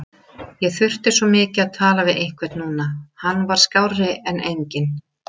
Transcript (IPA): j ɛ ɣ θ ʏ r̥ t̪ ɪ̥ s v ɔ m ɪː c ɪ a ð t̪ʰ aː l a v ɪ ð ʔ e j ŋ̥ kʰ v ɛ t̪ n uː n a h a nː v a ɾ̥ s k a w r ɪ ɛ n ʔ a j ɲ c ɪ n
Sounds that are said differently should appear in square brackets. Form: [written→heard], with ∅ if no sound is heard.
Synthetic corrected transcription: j ɛ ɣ θ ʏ r̥ t̪ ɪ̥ s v ɔ m ɪː c ɪ a ð t̪ʰ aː l a v ɪ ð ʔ e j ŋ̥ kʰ v ɛ t̪ n uː n a h a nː v a ɾ̥ s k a w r ɪ ɛ n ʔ [a→e] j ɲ c ɪ n

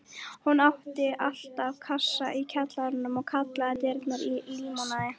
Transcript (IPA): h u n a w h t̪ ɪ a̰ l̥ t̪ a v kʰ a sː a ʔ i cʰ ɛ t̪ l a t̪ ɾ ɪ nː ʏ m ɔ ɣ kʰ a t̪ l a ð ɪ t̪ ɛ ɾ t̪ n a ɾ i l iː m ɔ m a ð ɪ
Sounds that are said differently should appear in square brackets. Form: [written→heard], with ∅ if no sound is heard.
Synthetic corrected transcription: h u n a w h t̪ ɪ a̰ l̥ t̪ a v kʰ a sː a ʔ i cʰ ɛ t̪ l a [t̪→∅] ɾ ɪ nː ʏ m ɔ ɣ kʰ a t̪ l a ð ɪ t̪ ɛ ɾ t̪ n a ɾ i l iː m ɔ [m→n] a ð ɪ

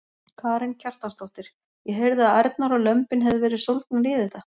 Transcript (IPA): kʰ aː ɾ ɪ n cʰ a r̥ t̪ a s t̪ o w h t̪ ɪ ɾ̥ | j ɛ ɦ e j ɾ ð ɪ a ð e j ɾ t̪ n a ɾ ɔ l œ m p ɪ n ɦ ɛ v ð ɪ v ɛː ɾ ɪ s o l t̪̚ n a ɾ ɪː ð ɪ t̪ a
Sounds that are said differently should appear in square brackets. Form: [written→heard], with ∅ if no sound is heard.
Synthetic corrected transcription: kʰ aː ɾ ɪ n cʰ a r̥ t̪ a s t̪ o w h t̪ ɪ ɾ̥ | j ɛ ɦ e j ɾ ð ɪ a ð [e→a] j ɾ t̪ n a ɾ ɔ l œ m p ɪ n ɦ ɛ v ð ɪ v ɛː ɾ ɪ s o l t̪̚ n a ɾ ɪː ð ɪ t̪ a

